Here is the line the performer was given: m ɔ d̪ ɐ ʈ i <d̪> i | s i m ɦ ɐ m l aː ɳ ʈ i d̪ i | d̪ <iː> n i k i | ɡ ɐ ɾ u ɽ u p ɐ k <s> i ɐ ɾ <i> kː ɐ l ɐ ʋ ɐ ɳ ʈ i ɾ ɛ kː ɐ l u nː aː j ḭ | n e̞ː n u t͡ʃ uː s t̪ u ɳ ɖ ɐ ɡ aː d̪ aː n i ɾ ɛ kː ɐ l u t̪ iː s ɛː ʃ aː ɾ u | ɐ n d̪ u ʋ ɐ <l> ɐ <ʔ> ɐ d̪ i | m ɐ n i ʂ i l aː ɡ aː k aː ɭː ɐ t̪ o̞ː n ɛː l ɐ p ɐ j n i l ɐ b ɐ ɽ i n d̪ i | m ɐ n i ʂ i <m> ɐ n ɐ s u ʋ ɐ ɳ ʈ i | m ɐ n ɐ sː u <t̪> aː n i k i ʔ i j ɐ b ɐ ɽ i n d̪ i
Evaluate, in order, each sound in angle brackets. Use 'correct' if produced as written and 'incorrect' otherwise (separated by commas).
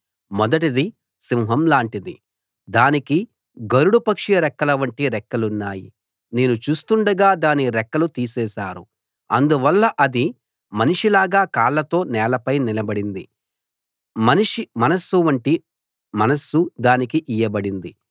correct, incorrect, incorrect, incorrect, incorrect, correct, correct, incorrect